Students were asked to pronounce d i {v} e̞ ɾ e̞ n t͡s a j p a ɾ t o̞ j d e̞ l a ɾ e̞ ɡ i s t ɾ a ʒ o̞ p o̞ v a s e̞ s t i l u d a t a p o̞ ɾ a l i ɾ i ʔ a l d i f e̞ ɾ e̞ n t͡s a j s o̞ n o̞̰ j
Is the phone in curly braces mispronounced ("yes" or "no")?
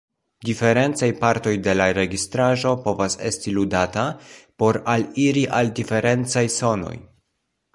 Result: yes